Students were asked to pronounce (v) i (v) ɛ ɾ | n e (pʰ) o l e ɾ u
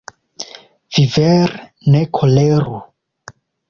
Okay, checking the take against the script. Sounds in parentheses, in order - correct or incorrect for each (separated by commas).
correct, correct, incorrect